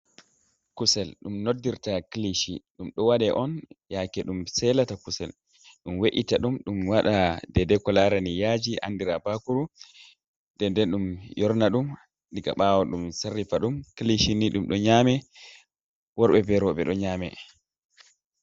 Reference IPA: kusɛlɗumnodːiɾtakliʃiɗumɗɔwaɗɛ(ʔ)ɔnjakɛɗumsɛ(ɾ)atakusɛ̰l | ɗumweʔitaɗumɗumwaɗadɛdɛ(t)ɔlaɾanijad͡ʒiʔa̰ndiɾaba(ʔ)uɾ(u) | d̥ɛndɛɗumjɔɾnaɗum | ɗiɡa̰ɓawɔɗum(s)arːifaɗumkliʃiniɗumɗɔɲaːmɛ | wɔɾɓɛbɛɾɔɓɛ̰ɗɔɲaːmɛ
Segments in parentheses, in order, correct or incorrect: correct, incorrect: l, incorrect: k, incorrect: k, correct, correct

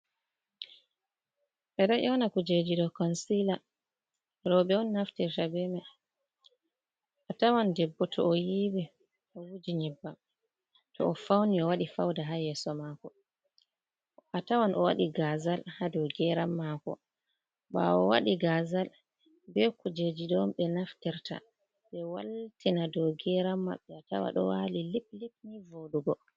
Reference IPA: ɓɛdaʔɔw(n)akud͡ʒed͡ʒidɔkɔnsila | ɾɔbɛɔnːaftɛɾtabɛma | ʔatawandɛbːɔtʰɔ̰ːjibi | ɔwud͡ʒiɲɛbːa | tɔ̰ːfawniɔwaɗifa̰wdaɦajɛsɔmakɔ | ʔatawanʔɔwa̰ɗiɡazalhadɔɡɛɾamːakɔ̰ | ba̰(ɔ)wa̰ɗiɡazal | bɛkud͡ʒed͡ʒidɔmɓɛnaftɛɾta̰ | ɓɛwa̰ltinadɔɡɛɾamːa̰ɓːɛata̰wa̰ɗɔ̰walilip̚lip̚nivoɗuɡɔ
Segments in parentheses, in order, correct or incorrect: correct, correct

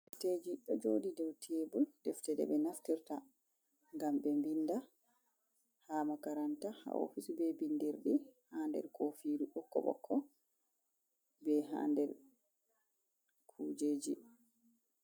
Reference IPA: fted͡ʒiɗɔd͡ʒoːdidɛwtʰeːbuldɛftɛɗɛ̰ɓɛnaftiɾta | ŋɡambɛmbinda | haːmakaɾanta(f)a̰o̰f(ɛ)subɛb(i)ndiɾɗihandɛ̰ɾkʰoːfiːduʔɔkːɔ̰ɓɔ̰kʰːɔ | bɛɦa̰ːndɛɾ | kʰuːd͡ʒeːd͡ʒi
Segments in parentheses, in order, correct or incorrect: incorrect: h, incorrect: i, correct

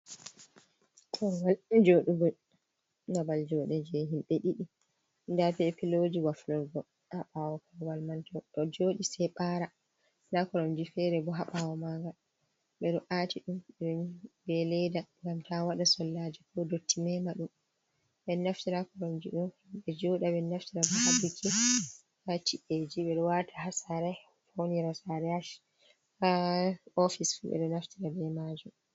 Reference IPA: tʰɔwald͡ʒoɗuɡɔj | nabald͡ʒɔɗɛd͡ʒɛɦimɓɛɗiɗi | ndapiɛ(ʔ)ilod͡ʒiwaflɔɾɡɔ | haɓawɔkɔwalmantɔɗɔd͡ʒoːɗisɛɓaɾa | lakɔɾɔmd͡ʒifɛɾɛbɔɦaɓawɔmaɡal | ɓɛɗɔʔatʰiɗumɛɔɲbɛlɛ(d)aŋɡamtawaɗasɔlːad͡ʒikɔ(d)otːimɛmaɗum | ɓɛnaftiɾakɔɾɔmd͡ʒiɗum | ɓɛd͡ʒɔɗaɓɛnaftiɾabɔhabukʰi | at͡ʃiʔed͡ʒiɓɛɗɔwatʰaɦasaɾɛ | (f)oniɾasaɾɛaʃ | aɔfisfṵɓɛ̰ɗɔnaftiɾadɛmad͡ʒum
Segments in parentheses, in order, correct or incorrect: incorrect: p, correct, correct, correct

